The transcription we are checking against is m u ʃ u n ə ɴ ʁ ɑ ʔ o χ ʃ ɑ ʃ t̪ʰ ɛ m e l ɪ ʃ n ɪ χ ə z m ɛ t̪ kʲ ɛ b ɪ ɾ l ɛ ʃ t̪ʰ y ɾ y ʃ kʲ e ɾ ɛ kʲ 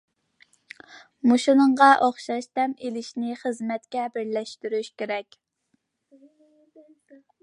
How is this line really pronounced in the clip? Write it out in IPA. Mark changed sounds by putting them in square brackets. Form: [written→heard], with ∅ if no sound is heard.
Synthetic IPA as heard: m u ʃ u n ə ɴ ʁ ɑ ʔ o χ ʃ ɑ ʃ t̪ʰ ɛ m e l ɪ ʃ n ɪ χ ə z m ɛ t̪ kʲ ɛ b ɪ ɾ l ɛ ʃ [t̪ʰ→t̪] y ɾ y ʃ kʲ e ɾ ɛ kʲ